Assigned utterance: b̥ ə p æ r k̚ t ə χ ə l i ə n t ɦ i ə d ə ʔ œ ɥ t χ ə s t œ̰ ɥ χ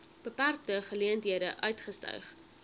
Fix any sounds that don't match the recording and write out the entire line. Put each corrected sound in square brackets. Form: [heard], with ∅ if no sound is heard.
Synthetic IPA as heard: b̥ ə p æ r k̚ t ə χ ə l i ə n t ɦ i ə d ə ʔ œ ɥ t χ ə s t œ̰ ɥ χ